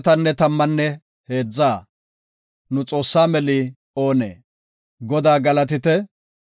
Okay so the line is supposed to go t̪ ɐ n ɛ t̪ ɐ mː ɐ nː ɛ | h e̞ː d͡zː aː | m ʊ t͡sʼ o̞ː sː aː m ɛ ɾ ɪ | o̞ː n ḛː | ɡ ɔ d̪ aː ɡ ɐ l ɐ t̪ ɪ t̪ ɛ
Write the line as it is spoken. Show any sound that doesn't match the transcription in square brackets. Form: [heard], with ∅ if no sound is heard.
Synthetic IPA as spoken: t̪ ɐ [nː] ɛ t̪ ɐ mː ɐ nː ɛ | h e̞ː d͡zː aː | [n] ʊ t͡sʼ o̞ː sː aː m ɛ [l] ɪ | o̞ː n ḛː | ɡ ɔ d̪ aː ɡ ɐ l ɐ t̪ ɪ t̪ ɛ